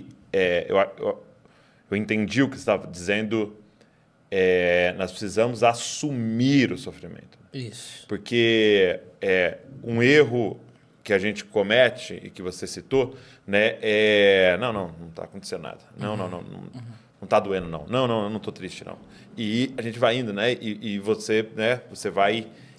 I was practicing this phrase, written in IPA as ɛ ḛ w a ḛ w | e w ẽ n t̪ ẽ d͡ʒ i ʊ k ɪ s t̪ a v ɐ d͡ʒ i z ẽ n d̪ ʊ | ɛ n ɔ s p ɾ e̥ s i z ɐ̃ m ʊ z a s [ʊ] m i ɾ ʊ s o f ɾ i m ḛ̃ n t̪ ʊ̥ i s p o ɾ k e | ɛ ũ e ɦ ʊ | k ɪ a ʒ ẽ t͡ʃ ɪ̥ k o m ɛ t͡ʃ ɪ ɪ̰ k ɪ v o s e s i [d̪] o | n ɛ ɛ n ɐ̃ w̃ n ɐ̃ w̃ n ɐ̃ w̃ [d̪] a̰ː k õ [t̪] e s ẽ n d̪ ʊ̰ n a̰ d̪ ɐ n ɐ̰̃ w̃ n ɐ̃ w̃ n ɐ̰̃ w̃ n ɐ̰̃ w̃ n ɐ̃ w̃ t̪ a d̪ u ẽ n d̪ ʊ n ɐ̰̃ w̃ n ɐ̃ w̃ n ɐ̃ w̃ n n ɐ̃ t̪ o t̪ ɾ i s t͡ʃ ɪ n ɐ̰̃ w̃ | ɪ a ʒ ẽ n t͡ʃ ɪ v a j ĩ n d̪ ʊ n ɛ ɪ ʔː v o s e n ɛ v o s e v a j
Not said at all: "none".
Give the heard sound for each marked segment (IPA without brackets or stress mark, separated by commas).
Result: u, t̪, t̪, t̪